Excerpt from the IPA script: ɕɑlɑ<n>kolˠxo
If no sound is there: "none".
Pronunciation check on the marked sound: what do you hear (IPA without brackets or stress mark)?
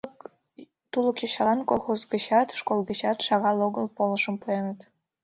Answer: n